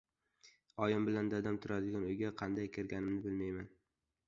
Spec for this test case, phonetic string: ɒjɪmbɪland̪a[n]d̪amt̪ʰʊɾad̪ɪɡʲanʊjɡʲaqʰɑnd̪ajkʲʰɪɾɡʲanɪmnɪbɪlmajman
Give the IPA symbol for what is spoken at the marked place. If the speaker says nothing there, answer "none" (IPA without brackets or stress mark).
none